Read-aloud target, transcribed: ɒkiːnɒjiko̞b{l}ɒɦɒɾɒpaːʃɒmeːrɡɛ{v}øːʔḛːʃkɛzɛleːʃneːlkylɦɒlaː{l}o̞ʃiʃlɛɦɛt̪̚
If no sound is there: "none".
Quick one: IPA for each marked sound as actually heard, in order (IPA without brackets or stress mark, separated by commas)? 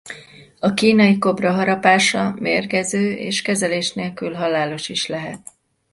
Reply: r, z, l